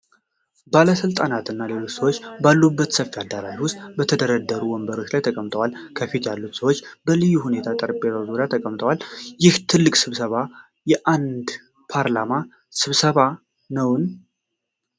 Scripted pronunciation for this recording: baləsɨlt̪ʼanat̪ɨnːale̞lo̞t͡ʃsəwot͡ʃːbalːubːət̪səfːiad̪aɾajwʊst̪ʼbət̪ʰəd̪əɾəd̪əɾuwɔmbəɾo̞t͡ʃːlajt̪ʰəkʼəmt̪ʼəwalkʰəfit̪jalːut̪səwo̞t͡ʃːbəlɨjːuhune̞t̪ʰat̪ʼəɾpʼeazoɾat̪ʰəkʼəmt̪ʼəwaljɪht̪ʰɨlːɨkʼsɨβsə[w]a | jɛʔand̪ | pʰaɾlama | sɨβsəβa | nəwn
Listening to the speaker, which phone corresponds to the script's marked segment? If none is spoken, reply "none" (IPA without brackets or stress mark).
β